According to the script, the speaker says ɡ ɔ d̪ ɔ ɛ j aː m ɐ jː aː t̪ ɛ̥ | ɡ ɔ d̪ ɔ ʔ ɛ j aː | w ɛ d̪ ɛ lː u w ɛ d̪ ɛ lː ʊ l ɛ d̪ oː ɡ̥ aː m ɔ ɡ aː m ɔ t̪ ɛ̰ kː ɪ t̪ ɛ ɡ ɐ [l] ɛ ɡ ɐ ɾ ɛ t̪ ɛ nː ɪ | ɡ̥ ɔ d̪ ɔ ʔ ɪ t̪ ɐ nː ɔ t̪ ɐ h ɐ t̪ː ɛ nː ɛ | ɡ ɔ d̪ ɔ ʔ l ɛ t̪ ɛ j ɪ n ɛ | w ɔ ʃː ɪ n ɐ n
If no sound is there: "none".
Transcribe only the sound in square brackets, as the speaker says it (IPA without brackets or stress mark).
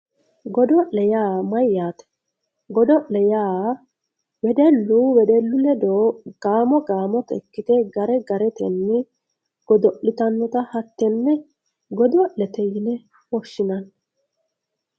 ɾ